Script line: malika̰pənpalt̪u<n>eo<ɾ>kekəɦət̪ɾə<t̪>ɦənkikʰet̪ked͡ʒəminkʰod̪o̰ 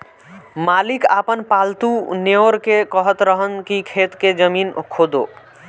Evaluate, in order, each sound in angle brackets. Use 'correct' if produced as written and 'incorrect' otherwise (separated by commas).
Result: correct, correct, incorrect